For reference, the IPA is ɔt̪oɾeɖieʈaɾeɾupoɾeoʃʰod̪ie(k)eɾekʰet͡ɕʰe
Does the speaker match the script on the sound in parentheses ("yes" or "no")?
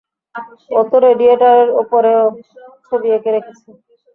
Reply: yes